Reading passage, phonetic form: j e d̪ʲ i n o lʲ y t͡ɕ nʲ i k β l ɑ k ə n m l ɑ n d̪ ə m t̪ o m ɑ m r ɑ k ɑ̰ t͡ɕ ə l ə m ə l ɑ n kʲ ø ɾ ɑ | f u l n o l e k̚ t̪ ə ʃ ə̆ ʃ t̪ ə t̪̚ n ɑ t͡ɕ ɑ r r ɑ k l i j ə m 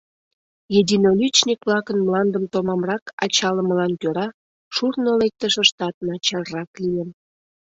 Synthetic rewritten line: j e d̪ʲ i n o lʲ y t͡ɕ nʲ i k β l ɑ k ə n m l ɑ n d̪ ə m t̪ o m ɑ m r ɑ k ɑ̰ t͡ɕ ɑ l ə m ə l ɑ n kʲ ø ɾ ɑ | ʃ u r n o l e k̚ t̪ ə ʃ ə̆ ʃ t̪ ɑ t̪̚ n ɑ t͡ɕ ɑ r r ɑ k l i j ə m